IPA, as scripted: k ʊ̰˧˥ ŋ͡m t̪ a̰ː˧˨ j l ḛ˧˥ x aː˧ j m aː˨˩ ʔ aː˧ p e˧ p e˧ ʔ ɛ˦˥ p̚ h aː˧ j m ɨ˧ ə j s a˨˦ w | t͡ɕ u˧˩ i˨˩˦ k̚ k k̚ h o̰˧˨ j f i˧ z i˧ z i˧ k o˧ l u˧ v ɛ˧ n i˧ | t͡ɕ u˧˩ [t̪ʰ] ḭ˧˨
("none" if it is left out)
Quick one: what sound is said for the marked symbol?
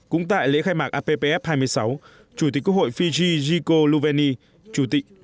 t̪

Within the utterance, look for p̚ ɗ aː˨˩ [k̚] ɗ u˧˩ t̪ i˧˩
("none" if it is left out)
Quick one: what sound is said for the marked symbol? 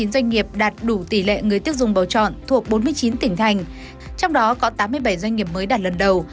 t̚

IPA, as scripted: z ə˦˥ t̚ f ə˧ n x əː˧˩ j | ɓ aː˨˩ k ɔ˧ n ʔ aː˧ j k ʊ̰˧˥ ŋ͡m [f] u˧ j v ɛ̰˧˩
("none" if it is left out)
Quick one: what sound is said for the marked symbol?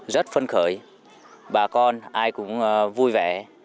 v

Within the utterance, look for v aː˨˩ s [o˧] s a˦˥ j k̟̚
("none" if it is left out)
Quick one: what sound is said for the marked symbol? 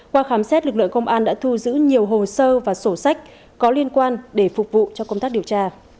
o˧˩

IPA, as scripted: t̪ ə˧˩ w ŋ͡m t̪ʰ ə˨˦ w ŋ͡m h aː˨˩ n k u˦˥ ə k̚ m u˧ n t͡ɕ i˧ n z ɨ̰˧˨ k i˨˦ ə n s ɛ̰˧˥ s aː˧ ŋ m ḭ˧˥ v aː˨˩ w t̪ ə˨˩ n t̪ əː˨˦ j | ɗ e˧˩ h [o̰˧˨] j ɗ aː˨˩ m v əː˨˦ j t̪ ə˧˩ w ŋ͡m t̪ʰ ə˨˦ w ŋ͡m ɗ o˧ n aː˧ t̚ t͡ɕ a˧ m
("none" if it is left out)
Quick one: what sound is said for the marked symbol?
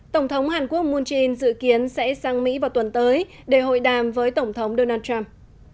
o̰˧˨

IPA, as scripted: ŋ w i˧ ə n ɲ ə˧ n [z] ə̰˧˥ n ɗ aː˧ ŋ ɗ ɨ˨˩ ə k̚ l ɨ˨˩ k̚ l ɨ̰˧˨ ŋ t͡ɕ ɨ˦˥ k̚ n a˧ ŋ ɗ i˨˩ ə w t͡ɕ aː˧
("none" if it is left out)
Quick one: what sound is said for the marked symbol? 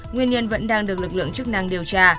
v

